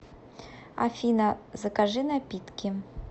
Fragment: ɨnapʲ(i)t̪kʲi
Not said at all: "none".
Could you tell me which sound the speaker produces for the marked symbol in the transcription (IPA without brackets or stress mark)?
i